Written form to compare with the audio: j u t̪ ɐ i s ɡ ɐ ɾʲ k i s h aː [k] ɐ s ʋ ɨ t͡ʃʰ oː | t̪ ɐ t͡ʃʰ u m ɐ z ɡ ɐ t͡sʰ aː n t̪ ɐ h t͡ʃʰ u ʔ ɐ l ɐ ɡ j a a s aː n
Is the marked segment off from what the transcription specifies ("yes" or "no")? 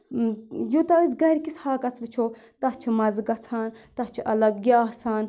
no